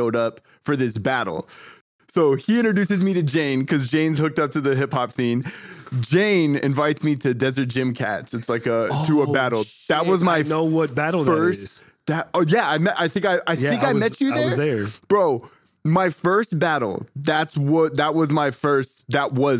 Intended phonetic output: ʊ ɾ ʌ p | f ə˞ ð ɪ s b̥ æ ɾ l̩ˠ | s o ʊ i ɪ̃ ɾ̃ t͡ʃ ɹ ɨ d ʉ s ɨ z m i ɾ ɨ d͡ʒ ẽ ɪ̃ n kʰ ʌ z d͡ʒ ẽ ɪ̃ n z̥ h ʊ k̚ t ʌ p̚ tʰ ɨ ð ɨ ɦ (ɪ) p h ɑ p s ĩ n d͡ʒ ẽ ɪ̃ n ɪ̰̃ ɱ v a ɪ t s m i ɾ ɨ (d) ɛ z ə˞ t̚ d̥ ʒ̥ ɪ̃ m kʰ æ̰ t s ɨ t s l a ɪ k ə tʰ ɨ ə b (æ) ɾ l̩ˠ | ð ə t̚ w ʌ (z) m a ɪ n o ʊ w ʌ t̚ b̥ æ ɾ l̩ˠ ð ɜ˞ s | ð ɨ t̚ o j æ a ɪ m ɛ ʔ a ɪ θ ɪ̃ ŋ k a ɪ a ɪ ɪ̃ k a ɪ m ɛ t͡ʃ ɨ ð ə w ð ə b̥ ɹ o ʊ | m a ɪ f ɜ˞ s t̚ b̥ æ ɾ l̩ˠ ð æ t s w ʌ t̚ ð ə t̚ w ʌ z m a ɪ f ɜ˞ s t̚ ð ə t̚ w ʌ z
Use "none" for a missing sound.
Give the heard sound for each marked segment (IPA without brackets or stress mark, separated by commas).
ɪ, d, æ, z